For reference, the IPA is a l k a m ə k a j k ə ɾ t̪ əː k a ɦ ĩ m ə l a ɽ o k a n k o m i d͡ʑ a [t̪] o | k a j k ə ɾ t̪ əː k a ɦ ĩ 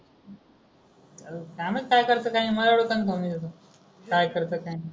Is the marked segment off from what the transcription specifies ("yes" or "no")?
no